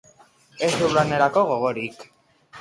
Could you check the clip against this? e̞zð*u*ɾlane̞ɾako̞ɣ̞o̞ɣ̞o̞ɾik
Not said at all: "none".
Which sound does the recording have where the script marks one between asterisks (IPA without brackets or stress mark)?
u